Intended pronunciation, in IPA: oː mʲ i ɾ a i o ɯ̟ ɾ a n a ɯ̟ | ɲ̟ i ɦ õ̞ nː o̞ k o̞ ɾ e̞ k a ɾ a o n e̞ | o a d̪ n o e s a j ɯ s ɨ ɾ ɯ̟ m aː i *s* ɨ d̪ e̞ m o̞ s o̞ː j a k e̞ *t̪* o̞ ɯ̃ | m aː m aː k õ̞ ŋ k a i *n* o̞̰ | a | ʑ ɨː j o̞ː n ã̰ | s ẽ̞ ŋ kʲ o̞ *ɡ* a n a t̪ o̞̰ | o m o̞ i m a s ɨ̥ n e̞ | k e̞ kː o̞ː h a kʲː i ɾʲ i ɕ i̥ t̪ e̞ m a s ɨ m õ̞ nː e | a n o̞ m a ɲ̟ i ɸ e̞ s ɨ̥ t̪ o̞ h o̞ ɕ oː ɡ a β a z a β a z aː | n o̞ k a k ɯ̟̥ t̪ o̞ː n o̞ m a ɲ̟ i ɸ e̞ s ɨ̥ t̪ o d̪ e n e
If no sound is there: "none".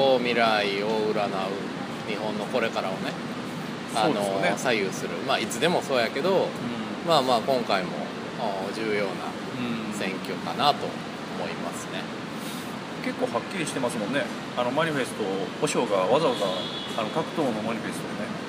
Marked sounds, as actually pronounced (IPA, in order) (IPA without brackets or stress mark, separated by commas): t͡s, d̪, m, k